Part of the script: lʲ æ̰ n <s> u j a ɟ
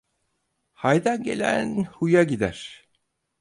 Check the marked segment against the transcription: incorrect: h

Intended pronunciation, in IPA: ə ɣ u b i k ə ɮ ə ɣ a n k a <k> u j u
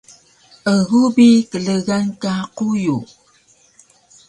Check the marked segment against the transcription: incorrect: q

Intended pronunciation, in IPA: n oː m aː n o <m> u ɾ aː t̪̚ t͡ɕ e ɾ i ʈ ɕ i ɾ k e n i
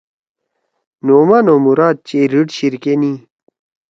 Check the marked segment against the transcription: correct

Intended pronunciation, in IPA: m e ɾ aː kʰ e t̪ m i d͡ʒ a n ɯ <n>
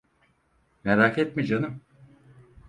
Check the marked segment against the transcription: incorrect: m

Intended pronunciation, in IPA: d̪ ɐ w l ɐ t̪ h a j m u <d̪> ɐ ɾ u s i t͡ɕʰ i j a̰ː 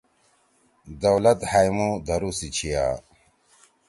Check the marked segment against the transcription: correct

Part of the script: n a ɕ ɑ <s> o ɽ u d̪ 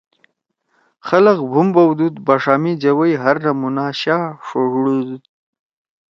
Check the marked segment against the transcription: incorrect: ʂ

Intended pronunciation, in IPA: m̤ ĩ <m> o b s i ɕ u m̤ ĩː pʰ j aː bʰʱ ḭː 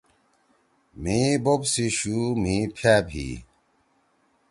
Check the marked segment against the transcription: incorrect: b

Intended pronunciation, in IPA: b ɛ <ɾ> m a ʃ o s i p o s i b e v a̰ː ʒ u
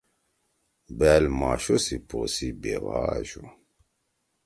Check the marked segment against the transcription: incorrect: l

